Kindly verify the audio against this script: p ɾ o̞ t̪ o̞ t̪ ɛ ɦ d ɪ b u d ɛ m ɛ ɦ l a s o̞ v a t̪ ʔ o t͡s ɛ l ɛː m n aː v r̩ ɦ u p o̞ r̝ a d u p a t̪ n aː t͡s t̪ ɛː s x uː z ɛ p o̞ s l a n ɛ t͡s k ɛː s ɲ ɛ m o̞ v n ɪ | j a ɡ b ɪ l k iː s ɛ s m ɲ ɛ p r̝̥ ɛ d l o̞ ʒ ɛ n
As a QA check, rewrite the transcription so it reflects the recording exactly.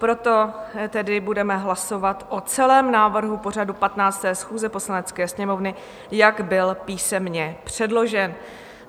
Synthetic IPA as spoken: p ɾ o̞ t̪ o̞ t̪ ɛ d ɪ b u d ɛ m ɛ ɦ l a s o̞ v a t̪ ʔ o t͡s ɛ l ɛː m n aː v r̩ ɦ u p o̞ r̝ a d u p a t̪ n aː t͡s t̪ ɛː s x uː z ɛ p o̞ s l a n ɛ t͡s k ɛː s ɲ ɛ m o̞ v n ɪ | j a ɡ b ɪ l p iː s ɛ m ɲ ɛ p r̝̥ ɛ d l o̞ ʒ ɛ n